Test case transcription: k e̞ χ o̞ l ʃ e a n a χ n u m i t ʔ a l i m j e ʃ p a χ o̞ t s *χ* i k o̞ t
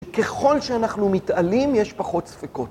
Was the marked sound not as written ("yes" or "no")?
yes